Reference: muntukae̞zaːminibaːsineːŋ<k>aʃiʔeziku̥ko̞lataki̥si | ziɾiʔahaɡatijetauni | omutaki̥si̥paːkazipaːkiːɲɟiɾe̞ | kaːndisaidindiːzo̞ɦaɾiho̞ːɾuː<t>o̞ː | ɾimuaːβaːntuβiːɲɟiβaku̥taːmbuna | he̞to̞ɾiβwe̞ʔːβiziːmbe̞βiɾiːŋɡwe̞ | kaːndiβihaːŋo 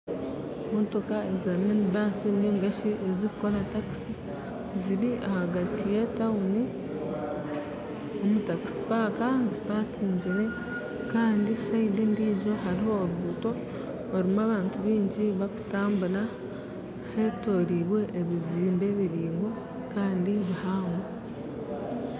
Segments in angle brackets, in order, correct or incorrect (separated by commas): incorrect, correct